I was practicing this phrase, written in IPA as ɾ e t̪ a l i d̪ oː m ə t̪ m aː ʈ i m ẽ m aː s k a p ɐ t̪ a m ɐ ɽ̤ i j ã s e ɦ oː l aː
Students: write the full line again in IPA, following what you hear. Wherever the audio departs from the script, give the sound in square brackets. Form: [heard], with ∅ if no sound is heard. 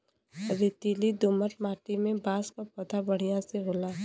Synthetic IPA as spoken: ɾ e t̪ [i] l i d̪ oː m ə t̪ m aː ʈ i m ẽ [b] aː s k a p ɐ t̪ a [b] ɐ ɽ̤ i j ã s e ɦ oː l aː